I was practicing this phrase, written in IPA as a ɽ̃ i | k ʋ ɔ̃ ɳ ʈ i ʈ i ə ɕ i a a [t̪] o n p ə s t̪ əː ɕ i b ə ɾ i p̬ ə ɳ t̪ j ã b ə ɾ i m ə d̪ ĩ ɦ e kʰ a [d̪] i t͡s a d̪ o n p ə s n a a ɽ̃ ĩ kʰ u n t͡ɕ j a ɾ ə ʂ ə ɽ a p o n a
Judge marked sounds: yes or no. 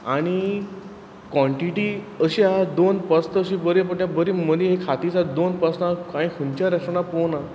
no, no

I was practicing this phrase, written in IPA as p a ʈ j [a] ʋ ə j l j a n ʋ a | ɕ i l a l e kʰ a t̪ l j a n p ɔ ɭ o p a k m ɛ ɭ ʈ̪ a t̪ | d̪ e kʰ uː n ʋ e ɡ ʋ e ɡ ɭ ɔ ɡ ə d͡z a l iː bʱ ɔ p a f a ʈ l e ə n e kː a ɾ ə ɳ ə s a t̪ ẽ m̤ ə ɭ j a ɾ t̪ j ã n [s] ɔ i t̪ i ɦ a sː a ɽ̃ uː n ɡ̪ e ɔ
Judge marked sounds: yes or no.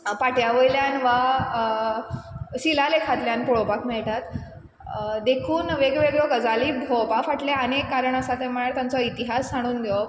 yes, no

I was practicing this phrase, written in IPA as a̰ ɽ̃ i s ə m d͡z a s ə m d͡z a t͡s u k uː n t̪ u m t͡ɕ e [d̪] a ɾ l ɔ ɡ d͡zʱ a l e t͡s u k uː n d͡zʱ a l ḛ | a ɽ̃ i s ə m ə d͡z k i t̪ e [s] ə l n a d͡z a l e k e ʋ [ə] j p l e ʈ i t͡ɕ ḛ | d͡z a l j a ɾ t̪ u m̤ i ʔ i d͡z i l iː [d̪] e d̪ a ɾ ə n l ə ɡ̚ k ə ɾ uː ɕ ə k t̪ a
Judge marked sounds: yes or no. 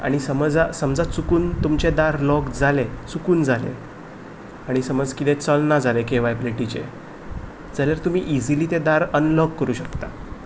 yes, no, no, no

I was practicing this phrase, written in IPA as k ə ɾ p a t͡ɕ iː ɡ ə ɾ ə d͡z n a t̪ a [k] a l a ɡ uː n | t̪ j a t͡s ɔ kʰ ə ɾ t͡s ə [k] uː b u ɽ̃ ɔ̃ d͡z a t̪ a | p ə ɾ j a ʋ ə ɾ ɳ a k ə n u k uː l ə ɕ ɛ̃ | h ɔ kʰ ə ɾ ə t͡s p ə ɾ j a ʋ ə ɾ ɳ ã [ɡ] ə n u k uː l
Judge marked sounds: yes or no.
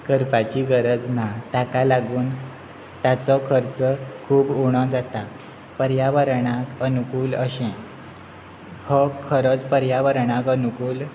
yes, no, no

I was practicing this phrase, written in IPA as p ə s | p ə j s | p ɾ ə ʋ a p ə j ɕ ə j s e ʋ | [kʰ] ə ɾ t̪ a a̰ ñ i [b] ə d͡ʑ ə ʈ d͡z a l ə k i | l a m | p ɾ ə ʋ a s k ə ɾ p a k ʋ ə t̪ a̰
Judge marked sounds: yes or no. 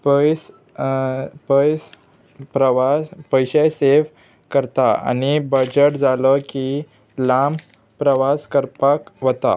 no, yes

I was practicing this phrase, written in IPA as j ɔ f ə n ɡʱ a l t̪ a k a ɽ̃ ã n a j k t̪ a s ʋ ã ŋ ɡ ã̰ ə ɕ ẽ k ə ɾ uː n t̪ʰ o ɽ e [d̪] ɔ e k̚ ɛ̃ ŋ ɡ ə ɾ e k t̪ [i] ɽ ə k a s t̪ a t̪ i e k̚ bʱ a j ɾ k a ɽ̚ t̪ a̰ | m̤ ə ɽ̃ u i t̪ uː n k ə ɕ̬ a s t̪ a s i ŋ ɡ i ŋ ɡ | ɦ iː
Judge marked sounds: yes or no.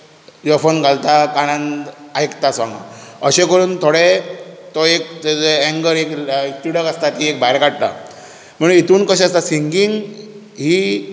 no, yes

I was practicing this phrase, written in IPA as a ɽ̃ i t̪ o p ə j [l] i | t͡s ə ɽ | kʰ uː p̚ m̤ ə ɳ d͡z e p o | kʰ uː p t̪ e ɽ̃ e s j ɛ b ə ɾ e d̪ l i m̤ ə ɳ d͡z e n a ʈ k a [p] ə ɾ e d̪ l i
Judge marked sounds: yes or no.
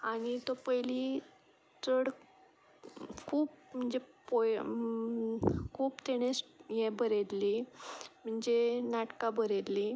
yes, no

